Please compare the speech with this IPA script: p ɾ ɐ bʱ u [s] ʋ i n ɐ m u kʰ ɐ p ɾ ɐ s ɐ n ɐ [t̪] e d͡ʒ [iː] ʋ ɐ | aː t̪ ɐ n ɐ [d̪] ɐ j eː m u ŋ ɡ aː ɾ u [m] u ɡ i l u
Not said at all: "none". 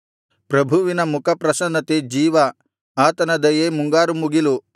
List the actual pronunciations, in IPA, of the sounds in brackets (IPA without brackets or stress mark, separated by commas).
none, t̪, iː, d̪, m